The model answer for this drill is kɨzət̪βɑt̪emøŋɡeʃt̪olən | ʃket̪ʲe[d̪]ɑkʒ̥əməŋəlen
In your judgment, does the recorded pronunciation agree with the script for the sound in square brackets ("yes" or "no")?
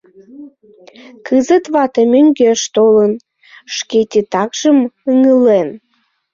no